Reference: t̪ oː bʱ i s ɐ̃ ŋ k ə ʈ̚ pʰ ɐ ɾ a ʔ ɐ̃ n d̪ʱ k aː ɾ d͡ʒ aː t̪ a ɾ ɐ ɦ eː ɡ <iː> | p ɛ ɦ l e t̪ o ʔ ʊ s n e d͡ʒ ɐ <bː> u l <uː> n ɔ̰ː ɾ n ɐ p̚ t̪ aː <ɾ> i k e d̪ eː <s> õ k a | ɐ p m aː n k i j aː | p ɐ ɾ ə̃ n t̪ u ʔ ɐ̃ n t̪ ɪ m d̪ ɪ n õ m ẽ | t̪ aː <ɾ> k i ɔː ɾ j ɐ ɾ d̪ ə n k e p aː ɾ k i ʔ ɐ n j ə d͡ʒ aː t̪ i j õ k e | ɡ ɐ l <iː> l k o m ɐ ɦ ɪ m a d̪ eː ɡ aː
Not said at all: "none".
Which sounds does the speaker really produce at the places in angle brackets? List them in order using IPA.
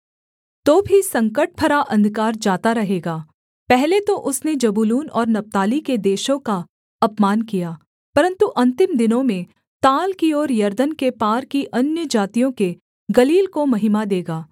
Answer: aː, b, uː, l, ʃ, l, iː

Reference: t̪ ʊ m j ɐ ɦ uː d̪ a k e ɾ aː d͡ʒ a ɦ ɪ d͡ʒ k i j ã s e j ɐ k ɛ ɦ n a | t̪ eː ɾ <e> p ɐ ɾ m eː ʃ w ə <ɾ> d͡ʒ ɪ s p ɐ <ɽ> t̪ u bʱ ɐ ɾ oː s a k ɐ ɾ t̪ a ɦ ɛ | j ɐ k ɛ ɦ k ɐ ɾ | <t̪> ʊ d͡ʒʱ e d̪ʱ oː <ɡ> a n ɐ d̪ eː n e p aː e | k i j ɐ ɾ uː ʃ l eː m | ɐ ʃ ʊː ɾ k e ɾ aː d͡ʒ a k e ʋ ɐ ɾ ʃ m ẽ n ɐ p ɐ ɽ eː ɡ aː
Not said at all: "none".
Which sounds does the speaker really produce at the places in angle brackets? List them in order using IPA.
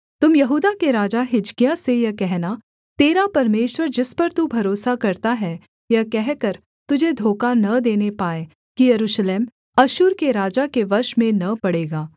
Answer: a, ɾ, ɾ, t̪, k

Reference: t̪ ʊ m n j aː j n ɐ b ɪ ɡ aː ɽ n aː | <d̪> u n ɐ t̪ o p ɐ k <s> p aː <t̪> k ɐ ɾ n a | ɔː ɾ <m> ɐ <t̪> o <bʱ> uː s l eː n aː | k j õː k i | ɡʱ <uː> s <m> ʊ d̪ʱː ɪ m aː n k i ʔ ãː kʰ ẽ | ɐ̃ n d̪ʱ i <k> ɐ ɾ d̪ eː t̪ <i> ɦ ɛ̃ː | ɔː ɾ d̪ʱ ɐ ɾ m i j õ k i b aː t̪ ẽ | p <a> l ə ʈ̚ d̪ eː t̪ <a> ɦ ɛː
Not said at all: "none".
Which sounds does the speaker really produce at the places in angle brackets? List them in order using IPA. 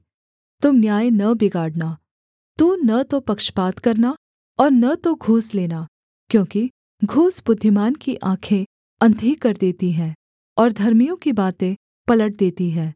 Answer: t̪, ʃ, t̪, n, t̪, ɡʱ, uː, b, k, i, ɐ, i

